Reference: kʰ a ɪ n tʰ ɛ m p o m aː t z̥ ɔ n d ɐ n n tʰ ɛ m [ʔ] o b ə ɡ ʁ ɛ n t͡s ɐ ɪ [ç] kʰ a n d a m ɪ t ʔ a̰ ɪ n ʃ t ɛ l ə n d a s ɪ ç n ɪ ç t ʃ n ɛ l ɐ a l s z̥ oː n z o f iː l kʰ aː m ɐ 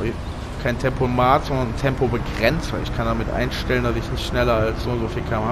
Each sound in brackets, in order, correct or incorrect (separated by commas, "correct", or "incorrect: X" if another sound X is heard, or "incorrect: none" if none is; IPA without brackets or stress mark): incorrect: p, correct